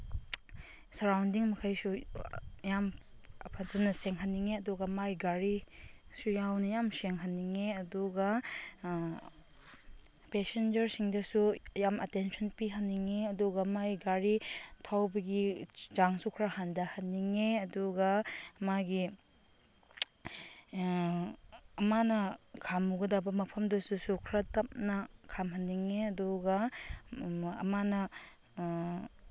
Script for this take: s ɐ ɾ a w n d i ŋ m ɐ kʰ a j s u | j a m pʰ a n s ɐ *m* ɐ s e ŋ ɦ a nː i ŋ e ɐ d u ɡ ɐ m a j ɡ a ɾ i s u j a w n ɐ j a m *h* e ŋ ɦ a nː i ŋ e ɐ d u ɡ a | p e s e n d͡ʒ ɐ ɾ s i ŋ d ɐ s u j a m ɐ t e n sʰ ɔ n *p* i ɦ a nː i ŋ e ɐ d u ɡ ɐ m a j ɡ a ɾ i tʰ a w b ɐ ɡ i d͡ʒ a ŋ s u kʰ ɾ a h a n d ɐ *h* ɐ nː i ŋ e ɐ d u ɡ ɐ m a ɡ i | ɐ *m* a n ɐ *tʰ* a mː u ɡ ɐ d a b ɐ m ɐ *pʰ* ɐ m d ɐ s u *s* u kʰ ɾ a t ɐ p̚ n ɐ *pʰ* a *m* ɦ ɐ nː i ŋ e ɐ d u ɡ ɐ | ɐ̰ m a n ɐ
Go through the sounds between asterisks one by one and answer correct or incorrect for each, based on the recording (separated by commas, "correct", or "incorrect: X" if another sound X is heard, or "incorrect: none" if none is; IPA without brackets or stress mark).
incorrect: n, incorrect: s, correct, correct, correct, incorrect: kʰ, correct, correct, incorrect: kʰ, correct